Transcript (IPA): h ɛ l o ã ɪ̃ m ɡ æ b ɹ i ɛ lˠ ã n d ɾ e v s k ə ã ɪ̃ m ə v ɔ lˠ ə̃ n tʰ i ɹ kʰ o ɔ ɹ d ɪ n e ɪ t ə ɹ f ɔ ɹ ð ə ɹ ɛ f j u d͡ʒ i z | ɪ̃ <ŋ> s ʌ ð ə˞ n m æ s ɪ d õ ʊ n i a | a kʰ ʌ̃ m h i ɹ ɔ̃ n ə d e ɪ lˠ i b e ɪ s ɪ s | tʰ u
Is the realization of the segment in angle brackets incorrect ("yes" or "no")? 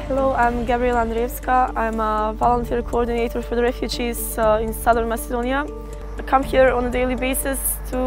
yes